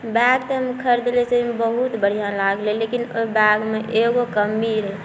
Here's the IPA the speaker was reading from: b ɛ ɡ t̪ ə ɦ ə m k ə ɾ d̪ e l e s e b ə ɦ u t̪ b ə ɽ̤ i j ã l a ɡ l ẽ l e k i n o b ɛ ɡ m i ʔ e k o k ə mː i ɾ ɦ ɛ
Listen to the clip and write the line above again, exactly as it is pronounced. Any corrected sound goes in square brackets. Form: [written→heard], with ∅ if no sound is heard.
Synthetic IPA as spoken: b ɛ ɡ t̪ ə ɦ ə m [k→kʰ] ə ɾ d̪ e l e s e b ə ɦ u t̪ b ə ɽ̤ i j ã l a ɡ l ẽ l e k i n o b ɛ ɡ m [i→e] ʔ e [k→ɡ] o k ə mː i ɾ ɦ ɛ